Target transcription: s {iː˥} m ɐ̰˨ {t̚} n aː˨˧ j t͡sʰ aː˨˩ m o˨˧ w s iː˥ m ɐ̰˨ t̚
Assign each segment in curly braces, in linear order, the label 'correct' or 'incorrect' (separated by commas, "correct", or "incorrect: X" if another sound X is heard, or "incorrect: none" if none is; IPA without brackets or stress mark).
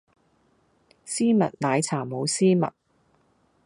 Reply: correct, correct